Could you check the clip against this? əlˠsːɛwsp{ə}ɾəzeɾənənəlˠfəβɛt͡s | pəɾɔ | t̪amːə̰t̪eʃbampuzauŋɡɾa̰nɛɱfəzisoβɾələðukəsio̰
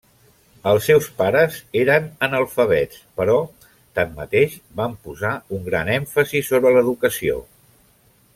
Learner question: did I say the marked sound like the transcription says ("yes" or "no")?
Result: no